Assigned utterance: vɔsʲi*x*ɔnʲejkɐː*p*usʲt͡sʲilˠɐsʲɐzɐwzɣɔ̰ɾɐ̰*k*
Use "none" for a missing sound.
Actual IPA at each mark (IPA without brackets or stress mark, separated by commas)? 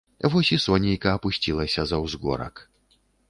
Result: s, p, k